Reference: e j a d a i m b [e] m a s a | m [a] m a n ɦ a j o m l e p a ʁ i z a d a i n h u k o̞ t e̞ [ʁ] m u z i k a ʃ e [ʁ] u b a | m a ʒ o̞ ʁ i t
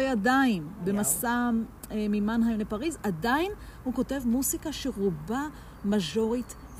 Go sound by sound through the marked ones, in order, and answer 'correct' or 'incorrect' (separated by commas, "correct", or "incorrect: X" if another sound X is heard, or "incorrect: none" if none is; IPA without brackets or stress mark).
correct, incorrect: i, incorrect: v, correct